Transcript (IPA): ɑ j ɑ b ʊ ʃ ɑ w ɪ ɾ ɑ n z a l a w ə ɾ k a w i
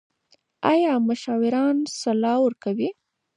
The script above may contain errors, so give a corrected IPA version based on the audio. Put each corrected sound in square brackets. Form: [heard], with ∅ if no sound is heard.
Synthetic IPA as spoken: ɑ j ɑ [m] ʊ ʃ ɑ w ɪ ɾ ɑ n [s] a l [ɑ] w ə ɾ k a w i